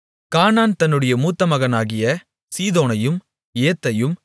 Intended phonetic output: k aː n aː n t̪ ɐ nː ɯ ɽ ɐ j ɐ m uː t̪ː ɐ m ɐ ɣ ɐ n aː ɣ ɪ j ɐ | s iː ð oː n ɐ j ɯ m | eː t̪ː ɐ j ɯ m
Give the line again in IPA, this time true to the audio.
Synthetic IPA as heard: k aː n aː n t̪ ɐ nː ɯ ɽ ɐ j ɐ m uː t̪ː ɐ m ɐ ɣ ɐ n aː ɣ ɪ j ɐ | s iː ð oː n ɐ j ɯ m | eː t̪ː ɐ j ɯ m

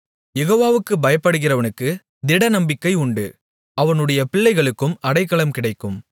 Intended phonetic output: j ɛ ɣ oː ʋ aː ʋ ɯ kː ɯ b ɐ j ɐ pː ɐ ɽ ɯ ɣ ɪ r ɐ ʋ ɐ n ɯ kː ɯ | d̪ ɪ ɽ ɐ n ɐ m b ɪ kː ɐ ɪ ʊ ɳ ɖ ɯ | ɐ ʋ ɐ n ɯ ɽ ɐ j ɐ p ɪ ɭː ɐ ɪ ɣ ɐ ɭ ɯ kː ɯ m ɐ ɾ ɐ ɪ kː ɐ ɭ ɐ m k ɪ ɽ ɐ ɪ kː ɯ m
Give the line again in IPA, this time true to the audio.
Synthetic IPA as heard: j ɛ ɣ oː ʋ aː ʋ ɯ kː ɯ b ɐ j ɐ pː ɐ ɽ ɯ ɣ ɪ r ɐ ʋ ɐ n ɯ kː ɯ | d̪ ɪ ɽ ɐ n ɐ m b ɪ kː ɐ ɪ ʊ ɳ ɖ ɯ | ɐ ʋ ɐ n ɯ ɽ ɐ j ɐ p ɪ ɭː ɐ ɪ ɣ ɐ ɭ ɯ kː ɯ m ɐ ɽ ɐ ɪ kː ɐ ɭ ɐ m k ɪ ɽ ɐ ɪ kː ɯ m

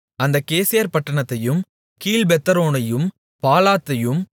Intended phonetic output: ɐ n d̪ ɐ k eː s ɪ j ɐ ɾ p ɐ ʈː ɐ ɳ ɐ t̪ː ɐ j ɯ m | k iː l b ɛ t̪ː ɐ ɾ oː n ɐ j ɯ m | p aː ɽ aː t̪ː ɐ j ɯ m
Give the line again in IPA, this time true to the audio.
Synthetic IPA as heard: ɐ n d̪ ɐ k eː s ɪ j ɐ ɾ p ɐ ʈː ɐ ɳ ɐ t̪ː ɐ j ɯ m | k iː l b ɛ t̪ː ɐ ɾ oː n ɐ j ɯ m | p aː l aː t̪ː ɐ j ɯ m

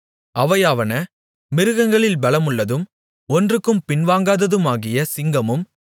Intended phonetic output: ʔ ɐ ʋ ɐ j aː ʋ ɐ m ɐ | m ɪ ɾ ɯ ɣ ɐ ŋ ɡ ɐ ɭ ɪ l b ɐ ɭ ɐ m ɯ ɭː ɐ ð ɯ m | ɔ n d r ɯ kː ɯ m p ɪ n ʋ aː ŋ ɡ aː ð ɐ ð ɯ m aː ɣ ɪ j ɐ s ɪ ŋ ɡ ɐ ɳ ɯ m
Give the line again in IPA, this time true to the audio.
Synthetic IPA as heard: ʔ ɐ ʋ ɐ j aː ʋ ɐ n ɐ | m ɪ ɾ ɯ ɣ ɐ ŋ ɡ ɐ ɭ ɪ l b ɐ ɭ ɐ m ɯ ɭː ɐ ð ɯ m | ɔ n d r ɯ kː ɯ m p ɪ n ʋ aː ŋ ɡ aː ð ɐ ð ɯ m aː ɣ ɪ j ɐ s ɪ ŋ ɡ ɐ m ɯ m

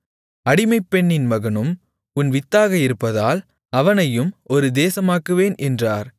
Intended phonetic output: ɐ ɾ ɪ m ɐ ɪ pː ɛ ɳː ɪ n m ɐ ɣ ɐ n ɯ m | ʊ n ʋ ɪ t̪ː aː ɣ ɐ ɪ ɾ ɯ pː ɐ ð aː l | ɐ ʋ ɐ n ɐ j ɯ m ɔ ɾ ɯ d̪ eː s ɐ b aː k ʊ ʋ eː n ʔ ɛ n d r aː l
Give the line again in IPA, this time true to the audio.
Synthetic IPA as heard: ɐ ɽ ɪ m ɐ ɪ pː ɛ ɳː ɪ n m ɐ ɣ ɐ n ɯ m | ʊ n ʋ ɪ t̪ː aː ɣ ɐ ɪ ɾ ɯ pː ɐ ð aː l | ɐ ʋ ɐ n ɐ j ɯ m ɔ ɾ ɯ d̪ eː s ɐ m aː k ɯ ʋ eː n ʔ ɛ n d r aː ɾ

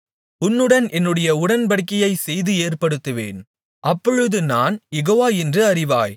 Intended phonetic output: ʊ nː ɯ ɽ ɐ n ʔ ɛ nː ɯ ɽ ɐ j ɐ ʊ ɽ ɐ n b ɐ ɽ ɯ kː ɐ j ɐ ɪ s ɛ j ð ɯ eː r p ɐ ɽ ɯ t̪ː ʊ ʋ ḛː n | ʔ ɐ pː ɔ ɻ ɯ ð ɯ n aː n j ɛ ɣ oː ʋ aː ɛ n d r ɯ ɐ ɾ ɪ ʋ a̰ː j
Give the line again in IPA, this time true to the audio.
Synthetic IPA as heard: ʊ nː ɯ ɽ ɐ n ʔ ɛ nː ɯ ɽ ɐ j ɐ ʊ ɽ ɐ n b ɐ ɽ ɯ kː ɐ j ɐ ɪ s ɛ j ð ɯ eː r p ɐ ɽ ɯ t̪ː ɯ ʋ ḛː n | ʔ ɐ pː ɔ ɻ ɯ ð ɯ n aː n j ɛ ɣ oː ʋ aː ɛ n d r ɯ ɐ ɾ ɪ ʋ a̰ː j

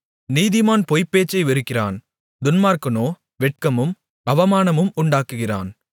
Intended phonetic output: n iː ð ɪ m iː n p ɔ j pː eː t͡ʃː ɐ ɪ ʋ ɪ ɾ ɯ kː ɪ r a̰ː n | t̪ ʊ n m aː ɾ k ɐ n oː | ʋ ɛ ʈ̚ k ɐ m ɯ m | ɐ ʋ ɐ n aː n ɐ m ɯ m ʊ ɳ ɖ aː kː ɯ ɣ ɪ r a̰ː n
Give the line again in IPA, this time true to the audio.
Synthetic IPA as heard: n iː ð ɪ m aː n p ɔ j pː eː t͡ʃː ɐ ɪ ʋ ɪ ɾ ɯ kː ɪ r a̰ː n | d̪ ʊ n m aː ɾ k ɐ n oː | ʋ ɛ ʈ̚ k ɐ m ɯ m | ɐ ʋ ɐ m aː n ɐ m ɯ m ʊ ɳ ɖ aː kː ɯ ɣ ɪ r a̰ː n

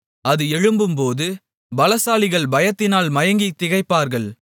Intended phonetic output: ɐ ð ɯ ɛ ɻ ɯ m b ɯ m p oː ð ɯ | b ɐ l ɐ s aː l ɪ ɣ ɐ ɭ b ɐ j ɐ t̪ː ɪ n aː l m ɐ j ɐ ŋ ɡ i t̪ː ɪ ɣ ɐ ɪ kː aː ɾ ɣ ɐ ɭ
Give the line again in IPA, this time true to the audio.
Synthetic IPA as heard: ɐ ð ɯ ɛ ɻ ɯ m b ɯ m p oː ð ɯ | b ɐ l ɐ s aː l ɪ ɣ ɐ ɭ b ɐ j ɐ t̪ː ɪ n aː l m ɐ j ɐ ŋ ɡ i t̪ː ɪ ɣ ɐ ɪ pː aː ɾ ɣ ɐ ɭ

